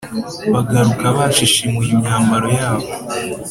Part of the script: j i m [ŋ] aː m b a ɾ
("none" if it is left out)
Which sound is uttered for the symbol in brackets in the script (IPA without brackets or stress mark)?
ɲ